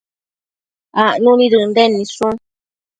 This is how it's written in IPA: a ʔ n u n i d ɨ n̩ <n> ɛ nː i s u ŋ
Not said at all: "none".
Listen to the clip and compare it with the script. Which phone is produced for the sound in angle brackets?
d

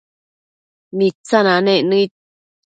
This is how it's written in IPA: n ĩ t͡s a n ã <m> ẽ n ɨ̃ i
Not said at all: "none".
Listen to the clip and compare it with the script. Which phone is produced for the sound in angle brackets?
n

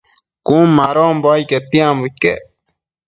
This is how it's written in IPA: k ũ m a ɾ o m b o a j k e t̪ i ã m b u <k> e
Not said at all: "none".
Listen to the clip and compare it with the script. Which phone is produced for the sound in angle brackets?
k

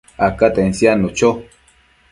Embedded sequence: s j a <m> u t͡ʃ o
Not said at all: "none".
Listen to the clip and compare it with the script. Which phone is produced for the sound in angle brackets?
n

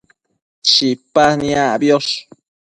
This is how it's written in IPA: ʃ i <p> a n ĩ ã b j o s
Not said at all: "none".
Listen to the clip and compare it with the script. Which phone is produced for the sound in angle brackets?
p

